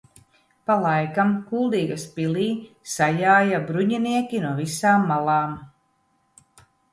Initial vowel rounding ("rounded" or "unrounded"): unrounded